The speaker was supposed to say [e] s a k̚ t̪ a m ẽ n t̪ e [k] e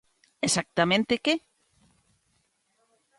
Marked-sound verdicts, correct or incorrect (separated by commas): correct, correct